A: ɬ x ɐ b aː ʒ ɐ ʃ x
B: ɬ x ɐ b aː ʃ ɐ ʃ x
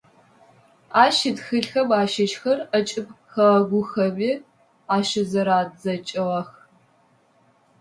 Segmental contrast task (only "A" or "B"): B